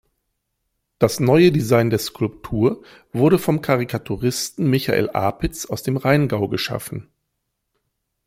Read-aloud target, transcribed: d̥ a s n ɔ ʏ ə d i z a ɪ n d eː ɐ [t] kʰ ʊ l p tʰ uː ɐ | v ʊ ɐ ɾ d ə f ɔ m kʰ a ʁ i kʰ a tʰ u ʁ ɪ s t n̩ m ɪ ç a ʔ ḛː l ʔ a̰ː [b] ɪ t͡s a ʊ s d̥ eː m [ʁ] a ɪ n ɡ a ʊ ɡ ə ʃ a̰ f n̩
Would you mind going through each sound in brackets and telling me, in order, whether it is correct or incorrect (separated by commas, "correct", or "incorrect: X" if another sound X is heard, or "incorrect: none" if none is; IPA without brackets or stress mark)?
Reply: incorrect: s, incorrect: p, correct